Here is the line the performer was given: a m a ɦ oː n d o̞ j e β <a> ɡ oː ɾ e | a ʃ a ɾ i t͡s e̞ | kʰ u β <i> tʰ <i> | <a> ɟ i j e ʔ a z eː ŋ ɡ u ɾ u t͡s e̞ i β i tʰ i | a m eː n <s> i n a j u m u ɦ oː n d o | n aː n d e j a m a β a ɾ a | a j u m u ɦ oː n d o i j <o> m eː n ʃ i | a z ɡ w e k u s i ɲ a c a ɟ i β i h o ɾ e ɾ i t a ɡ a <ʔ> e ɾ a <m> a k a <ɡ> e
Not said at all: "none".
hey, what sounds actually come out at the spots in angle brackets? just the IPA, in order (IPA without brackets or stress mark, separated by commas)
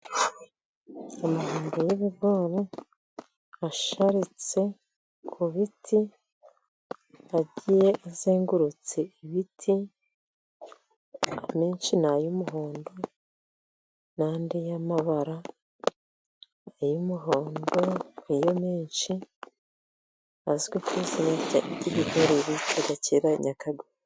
i, i, i, a, ʃ, o, c, ɲ, ɡ